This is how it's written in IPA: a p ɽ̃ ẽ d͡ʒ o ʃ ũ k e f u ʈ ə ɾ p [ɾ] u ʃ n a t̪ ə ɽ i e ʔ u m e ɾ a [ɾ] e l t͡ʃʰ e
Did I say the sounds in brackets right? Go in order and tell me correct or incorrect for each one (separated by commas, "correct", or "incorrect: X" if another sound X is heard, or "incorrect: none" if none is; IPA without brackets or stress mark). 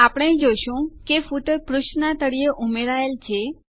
correct, incorrect: none